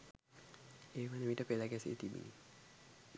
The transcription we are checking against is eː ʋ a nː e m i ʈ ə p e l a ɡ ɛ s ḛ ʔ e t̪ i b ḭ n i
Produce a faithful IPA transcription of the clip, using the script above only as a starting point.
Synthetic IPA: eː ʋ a n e m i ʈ ə p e l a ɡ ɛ s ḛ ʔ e t̪ i b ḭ n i